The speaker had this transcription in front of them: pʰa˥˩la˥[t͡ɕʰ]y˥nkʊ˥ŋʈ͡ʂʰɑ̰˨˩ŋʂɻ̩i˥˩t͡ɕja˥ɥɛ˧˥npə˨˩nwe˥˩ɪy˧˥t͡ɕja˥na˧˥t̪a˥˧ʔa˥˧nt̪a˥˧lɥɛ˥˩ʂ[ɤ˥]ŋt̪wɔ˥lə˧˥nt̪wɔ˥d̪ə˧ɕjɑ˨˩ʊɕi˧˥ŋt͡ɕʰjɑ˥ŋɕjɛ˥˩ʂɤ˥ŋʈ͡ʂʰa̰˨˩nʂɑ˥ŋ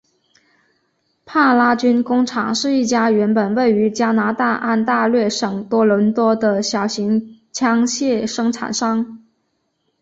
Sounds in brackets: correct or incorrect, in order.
incorrect: t͡ɕ, incorrect: ɤ˨˩

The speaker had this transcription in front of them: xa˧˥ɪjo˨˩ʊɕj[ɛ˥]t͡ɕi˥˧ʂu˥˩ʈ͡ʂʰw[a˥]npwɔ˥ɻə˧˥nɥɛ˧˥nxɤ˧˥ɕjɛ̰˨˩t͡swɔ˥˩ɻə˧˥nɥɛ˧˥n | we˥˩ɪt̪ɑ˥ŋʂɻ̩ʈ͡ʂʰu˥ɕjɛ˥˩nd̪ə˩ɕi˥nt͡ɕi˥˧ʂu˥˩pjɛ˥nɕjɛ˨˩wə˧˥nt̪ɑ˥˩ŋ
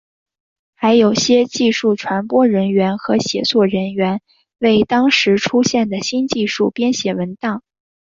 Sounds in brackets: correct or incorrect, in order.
correct, incorrect: a˧˥

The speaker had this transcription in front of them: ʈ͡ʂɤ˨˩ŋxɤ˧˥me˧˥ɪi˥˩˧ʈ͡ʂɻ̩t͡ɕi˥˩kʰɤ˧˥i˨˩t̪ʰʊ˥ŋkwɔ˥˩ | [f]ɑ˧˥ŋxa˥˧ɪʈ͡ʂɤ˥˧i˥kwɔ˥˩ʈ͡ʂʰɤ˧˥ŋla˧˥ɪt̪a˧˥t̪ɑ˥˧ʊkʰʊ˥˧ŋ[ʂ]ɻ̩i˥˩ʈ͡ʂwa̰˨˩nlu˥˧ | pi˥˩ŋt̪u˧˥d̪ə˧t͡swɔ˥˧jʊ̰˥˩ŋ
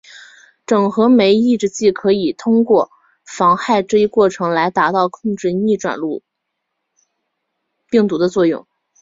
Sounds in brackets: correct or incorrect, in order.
correct, incorrect: ʈ͡ʂ

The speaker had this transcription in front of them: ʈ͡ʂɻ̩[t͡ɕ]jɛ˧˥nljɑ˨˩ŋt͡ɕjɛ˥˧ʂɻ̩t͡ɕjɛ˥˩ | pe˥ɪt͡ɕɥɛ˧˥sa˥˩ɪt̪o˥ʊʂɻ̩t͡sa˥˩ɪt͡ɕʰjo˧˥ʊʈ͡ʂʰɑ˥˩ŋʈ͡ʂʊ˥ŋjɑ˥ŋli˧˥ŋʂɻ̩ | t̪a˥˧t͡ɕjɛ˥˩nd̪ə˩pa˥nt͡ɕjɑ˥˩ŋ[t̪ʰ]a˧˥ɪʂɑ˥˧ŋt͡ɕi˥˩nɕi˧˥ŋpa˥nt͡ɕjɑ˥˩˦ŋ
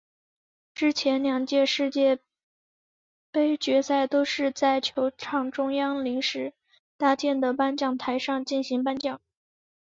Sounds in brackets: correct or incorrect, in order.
incorrect: t͡ɕʰ, correct

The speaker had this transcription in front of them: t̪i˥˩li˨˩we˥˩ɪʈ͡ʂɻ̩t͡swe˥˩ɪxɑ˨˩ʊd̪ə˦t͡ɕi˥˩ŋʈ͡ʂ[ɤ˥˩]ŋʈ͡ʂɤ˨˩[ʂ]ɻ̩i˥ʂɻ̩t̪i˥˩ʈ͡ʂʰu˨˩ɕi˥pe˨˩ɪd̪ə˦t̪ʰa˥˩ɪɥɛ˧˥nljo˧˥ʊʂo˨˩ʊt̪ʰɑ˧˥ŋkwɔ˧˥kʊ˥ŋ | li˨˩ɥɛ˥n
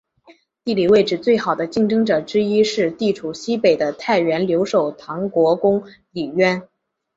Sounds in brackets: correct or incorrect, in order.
incorrect: ɤ˥, incorrect: ʈ͡ʂ

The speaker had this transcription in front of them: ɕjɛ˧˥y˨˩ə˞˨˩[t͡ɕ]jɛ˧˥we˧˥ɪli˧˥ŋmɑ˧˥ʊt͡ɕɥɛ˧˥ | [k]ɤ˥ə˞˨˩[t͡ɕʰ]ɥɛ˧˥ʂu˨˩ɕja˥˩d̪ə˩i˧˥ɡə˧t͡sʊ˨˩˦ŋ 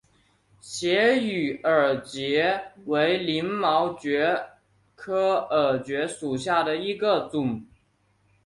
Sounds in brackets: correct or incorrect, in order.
correct, incorrect: kʰ, incorrect: t͡ɕ

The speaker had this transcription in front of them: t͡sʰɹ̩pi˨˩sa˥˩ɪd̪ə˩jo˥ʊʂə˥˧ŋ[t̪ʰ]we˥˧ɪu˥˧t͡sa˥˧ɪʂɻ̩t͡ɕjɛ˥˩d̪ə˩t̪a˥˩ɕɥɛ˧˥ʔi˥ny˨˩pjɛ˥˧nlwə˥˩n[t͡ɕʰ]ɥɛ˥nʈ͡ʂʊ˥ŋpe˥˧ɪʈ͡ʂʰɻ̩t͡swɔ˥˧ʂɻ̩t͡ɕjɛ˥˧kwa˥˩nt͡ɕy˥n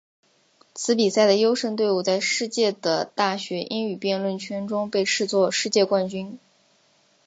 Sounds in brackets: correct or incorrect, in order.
incorrect: t̪, correct

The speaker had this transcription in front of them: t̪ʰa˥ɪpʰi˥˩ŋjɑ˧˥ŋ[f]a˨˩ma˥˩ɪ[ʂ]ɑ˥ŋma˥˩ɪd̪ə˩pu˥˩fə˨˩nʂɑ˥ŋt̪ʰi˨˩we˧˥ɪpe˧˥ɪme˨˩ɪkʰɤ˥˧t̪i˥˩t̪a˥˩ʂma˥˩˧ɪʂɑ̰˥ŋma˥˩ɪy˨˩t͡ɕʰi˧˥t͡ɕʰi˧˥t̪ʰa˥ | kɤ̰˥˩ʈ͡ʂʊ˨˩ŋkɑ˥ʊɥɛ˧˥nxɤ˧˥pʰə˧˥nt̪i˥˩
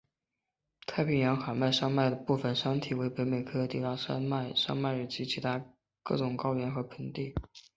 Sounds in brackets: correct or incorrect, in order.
incorrect: x, correct

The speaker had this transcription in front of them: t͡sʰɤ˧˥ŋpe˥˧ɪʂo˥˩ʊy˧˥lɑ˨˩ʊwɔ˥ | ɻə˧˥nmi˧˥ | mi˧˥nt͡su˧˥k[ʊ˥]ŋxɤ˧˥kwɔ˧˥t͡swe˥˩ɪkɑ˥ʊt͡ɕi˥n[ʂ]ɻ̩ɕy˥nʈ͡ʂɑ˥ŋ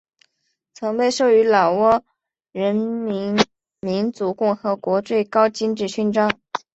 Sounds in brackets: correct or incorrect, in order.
incorrect: ʊ˥˩, incorrect: ʈ͡ʂ

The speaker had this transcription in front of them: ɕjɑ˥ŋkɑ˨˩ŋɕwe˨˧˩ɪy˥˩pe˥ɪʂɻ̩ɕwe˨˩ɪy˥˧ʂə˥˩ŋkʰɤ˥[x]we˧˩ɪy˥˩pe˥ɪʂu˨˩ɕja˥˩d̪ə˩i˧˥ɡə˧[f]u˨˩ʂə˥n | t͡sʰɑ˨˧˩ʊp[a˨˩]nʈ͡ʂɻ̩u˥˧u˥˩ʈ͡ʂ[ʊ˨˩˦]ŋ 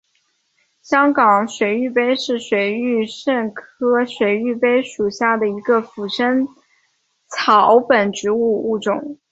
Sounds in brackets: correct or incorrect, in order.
incorrect: ɕ, correct, incorrect: ə˨˩, correct

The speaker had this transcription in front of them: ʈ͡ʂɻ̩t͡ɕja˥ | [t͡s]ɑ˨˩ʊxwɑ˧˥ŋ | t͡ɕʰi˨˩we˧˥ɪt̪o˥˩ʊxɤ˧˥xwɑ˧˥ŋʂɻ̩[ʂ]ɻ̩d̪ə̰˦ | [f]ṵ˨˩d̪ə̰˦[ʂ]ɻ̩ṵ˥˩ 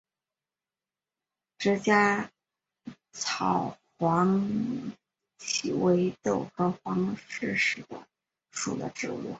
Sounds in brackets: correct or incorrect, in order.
incorrect: t͡sʰ, correct, incorrect: ʂ, incorrect: ʈ͡ʂ

